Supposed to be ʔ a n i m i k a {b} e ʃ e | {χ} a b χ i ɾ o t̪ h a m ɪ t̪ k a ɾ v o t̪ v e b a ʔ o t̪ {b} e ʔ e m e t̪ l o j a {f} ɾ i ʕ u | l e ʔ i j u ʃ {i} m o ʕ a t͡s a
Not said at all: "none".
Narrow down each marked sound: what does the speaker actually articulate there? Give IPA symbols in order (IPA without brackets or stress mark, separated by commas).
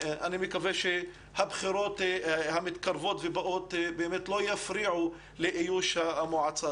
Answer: v, h, b, f, a